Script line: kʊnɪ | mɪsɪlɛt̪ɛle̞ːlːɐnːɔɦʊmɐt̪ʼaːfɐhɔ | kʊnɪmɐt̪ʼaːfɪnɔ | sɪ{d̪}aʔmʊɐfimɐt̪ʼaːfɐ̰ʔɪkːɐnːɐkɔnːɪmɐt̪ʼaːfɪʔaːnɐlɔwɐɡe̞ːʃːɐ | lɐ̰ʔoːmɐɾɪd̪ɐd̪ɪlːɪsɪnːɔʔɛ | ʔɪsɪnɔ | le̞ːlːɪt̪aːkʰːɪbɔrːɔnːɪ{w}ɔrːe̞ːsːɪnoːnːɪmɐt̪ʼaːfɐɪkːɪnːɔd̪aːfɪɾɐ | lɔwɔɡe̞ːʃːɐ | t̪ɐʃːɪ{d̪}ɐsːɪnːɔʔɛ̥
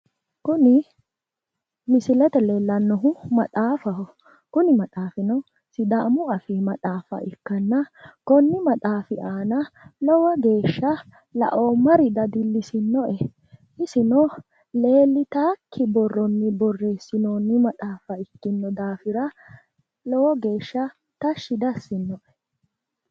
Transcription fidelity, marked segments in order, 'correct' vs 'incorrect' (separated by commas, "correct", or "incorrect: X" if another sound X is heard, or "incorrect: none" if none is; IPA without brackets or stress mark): correct, incorrect: b, correct